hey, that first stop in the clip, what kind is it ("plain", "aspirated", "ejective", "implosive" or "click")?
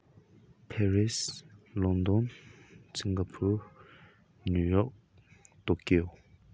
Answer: aspirated